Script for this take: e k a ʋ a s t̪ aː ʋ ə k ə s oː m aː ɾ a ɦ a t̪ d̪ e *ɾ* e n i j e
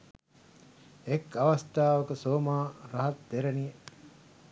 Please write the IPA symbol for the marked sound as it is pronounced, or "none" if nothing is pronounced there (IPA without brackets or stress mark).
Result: ɾ